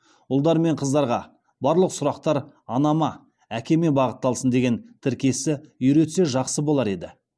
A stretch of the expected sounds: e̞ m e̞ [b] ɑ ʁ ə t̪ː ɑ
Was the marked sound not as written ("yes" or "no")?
no